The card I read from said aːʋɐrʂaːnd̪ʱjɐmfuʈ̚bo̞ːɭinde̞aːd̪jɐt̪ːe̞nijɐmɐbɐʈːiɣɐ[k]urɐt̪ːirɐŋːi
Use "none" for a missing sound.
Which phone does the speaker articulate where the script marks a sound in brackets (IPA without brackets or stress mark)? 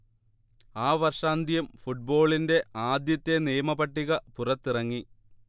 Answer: p